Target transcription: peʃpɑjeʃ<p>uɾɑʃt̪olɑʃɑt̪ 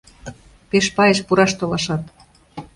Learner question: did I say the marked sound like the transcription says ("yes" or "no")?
yes